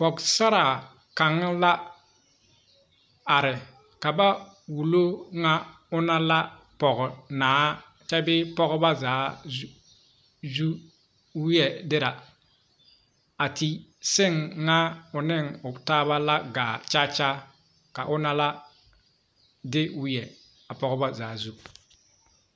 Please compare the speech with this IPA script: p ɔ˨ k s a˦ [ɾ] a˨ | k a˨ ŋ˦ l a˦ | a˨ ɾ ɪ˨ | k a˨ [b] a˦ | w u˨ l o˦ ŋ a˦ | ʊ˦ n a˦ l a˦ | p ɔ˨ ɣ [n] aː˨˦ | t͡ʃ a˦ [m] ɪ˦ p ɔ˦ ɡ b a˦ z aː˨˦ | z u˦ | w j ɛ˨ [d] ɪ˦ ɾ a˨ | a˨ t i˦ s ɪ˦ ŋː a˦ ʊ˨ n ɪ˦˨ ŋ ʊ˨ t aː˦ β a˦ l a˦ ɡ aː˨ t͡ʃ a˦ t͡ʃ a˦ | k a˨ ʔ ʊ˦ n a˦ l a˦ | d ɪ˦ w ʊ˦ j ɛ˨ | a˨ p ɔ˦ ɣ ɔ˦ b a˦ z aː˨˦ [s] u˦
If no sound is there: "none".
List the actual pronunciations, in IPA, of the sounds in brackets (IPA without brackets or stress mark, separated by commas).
ɾ, b, n, b, d, z